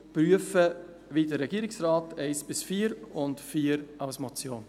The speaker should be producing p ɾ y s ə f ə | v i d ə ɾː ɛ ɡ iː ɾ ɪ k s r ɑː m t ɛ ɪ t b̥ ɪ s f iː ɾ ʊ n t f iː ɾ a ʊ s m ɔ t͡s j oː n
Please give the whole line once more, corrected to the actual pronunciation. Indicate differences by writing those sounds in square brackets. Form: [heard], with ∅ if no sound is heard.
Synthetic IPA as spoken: p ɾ y [∅] ə f ə | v i d ə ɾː ɛ ɡ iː ɾ ɪ k s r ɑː [∅] t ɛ ɪ [s] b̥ ɪ s f iː ɾ ʊ n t f iː ɾ a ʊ s m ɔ t͡s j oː n